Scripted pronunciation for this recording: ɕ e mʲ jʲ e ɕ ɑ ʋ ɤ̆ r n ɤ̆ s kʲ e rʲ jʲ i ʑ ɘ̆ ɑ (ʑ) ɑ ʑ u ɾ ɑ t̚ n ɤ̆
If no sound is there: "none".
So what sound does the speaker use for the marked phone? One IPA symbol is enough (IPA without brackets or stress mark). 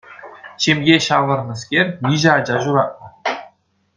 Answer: d͡ʑ